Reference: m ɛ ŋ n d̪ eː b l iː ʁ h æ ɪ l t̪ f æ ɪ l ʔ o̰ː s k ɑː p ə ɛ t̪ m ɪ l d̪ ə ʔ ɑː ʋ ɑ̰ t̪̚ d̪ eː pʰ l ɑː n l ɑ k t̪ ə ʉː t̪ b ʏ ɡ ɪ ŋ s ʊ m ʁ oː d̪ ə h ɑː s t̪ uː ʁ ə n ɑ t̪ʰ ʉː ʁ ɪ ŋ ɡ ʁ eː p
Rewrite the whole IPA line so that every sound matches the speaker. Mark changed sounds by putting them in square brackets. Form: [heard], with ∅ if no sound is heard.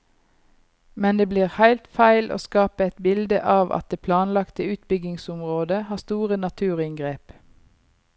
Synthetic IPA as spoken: m ɛ [∅] n d̪ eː b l iː ʁ h æ ɪ l t̪ f æ ɪ l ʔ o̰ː s k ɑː p ə ɛ t̪ [b] ɪ l d̪ ə ʔ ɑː ʋ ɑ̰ t̪̚ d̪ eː pʰ l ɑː n l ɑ k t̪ ə ʉː t̪ b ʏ ɡ ɪ ŋ s ʊ m ʁ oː d̪ ə h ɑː s t̪ uː ʁ ə n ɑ t̪ʰ ʉː ʁ ɪ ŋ ɡ ʁ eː p